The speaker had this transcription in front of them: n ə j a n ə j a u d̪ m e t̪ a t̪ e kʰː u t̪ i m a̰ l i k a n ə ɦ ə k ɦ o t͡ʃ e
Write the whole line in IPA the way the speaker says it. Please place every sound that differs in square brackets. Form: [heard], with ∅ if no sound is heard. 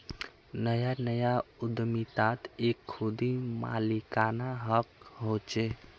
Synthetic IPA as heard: n ə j a n ə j a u d̪ m [i] t̪ a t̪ e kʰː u [d̪] i m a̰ l i k a n [a] ɦ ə k ɦ o t͡ʃ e